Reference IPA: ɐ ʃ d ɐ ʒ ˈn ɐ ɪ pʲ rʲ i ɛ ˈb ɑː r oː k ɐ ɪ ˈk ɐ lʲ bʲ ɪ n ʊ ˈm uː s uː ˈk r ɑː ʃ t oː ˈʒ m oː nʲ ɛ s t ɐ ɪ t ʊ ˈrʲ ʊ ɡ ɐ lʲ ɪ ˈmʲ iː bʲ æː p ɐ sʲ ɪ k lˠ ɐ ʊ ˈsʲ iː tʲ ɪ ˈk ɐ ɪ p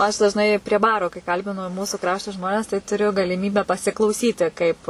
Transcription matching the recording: ɐ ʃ d ɐ ʒ ˈn ɐ ɪ pʲ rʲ i ɛ ˈb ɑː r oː k ɐ ɪ ˈk ɐ lʲ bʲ ɪ n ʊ ˈm uː s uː ˈk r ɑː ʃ t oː ˈʒ m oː nʲ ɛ s t ɐ ɪ t ʊ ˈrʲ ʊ ɡ ɐ lʲ ɪ ˈmʲ iː bʲ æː p ɐ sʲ ɪ k lˠ ɐ ʊ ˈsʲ iː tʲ ɪ ˈk ɐ ɪ p